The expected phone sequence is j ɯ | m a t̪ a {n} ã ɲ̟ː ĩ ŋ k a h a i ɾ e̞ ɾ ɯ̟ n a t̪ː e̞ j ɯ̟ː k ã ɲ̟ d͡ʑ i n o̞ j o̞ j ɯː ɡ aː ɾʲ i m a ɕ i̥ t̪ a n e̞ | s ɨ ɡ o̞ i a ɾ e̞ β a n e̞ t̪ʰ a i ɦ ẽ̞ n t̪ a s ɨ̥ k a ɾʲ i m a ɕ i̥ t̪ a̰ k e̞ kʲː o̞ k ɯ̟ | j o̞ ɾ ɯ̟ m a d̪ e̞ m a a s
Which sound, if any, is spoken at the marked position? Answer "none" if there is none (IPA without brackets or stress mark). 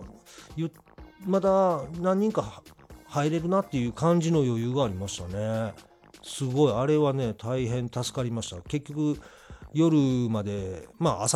n